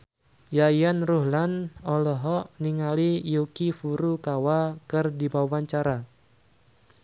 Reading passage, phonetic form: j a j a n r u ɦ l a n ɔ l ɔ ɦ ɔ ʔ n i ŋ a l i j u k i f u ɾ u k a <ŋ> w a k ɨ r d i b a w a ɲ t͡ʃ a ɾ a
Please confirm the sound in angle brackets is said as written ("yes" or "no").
no